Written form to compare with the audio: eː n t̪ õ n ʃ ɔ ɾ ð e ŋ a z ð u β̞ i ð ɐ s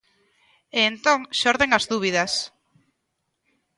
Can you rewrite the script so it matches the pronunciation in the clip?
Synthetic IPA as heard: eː n t̪ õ ŋ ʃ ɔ ɾ ð e ŋ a z ð u β̞ i ð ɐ s